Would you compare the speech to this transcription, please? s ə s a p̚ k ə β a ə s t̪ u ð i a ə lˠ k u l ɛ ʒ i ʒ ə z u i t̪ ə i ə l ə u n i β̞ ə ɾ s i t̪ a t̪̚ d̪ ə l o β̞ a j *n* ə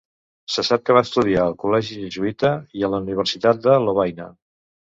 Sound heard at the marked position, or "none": n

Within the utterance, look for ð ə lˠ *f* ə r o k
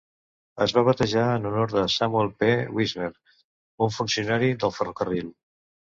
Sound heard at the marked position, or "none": f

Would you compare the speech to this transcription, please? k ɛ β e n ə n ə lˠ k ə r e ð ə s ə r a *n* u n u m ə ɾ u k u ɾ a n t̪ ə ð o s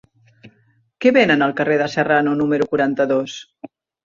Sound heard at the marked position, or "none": n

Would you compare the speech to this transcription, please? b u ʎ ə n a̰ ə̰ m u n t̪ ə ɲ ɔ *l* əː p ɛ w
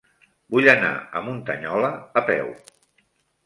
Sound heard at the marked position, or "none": l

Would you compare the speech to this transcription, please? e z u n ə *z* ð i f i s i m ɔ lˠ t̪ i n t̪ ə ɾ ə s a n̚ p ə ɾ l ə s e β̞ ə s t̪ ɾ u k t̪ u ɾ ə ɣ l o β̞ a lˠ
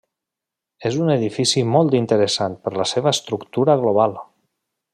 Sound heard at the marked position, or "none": none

